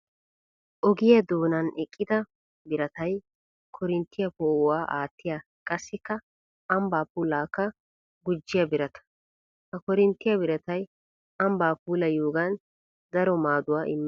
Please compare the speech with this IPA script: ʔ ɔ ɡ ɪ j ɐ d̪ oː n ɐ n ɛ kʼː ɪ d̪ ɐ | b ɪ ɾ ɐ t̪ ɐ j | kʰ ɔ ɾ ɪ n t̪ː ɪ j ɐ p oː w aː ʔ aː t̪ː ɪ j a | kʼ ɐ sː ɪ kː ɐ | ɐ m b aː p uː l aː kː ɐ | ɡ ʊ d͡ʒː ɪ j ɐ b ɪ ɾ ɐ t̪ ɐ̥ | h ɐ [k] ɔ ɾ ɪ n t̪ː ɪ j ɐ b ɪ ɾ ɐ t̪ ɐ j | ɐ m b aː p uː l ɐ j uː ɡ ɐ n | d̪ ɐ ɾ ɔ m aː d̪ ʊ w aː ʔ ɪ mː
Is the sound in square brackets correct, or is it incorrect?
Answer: correct